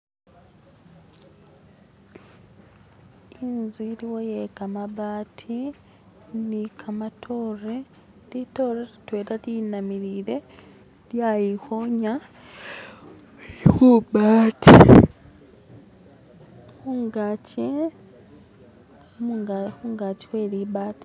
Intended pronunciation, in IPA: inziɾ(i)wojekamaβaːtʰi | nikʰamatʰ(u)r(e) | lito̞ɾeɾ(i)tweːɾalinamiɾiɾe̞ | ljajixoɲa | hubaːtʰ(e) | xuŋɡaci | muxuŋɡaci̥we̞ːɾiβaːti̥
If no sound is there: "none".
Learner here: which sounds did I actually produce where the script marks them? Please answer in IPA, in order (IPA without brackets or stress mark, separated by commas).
i, o, e, i, i